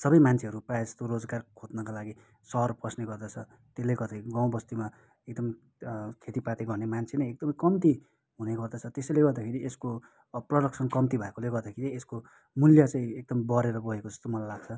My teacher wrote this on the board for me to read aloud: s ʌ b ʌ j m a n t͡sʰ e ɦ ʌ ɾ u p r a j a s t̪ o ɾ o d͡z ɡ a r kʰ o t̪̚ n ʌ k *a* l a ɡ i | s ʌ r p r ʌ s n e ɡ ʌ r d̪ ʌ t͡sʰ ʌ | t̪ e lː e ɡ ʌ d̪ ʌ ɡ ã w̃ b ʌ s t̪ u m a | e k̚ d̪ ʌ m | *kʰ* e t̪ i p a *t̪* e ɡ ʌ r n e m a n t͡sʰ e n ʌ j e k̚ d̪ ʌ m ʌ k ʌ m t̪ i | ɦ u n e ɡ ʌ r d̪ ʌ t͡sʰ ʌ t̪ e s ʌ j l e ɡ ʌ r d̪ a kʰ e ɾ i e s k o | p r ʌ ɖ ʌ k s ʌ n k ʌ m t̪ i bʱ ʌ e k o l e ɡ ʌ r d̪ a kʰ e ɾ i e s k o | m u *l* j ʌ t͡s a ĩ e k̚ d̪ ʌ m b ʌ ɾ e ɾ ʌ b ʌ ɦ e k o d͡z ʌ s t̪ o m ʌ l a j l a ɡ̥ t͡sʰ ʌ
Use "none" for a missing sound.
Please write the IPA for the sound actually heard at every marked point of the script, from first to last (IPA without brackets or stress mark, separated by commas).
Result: a, kʰ, t̪, l